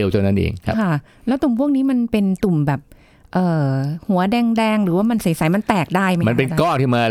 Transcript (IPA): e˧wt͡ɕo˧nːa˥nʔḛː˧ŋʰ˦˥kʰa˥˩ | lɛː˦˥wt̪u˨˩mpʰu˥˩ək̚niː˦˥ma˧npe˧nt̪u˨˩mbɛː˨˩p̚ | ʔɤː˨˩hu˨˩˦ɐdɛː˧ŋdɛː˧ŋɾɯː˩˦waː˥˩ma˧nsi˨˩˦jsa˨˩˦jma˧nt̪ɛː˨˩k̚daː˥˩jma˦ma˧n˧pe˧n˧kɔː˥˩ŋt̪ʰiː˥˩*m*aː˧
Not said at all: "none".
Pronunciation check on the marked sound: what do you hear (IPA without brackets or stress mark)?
m